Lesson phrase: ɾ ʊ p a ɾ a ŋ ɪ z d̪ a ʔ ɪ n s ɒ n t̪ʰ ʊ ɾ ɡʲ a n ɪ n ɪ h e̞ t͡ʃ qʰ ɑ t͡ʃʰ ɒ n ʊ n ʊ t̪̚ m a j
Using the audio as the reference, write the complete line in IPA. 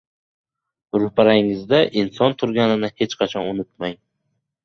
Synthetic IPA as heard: ɾ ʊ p a ɾ a ŋ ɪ z d̪ a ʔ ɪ n s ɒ n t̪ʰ ʊ ɾ ɡʲ a n ɪ n ɪ h e̞ t͡ʃ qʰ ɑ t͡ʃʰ ɒ n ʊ n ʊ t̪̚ m a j